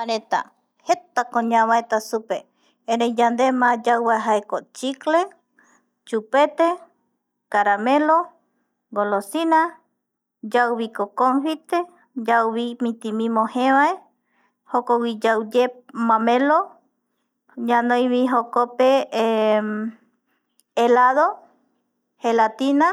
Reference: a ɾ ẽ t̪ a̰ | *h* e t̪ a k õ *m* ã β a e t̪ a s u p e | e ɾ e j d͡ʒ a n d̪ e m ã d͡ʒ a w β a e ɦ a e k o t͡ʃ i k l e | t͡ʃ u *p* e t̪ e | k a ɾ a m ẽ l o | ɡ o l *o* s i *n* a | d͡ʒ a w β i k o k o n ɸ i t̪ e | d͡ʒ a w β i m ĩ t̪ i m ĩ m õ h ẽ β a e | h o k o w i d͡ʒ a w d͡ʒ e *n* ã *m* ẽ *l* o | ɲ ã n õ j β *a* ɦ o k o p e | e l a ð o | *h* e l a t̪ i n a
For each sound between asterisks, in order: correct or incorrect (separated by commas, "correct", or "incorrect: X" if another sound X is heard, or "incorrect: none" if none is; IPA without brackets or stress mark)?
correct, incorrect: ɲ, correct, correct, correct, incorrect: m, correct, correct, incorrect: i, correct